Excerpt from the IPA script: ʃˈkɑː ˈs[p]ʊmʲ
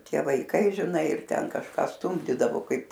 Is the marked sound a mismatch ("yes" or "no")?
yes